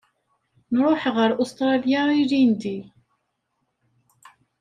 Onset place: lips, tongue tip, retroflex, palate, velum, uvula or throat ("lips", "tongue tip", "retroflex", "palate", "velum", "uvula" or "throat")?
tongue tip